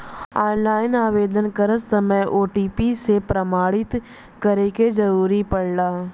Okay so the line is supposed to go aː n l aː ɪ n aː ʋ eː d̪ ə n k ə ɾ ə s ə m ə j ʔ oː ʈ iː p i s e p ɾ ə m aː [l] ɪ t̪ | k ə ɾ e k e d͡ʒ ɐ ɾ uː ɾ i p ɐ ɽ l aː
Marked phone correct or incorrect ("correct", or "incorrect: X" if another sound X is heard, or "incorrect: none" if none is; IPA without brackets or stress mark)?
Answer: incorrect: ɽ